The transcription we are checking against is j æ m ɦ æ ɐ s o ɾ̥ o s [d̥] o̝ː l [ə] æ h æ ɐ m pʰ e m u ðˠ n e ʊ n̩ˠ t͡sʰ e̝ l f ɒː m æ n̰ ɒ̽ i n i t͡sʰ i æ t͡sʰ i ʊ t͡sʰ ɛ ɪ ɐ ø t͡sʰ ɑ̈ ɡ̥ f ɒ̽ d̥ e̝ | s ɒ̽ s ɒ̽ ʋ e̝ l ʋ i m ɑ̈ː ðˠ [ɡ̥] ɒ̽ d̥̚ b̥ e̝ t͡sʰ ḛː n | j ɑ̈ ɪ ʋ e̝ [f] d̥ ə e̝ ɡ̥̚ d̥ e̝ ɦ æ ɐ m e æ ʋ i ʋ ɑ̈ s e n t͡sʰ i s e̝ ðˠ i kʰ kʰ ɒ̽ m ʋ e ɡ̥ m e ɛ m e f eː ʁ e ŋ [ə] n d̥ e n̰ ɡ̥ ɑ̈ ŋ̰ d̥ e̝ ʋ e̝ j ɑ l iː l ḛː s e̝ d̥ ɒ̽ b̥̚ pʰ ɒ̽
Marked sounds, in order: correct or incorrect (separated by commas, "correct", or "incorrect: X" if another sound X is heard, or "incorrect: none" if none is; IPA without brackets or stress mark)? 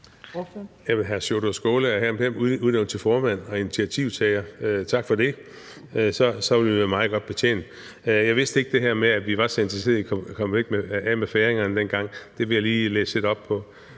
incorrect: ɡ̥, correct, correct, incorrect: s, incorrect: ɐ